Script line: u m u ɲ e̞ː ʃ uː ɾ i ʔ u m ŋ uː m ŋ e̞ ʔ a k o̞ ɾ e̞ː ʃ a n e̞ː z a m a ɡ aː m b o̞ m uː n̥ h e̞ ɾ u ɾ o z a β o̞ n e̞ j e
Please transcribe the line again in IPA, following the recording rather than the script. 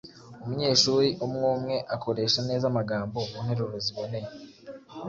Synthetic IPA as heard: u m u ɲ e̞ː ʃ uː ɾ i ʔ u m ŋ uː m ŋ e̞ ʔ a k o̞ ɾ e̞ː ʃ a n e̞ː z a m a ɡ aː m b o̞ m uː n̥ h e̞ ɾ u ɾ o z i β o̞ n e̞ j e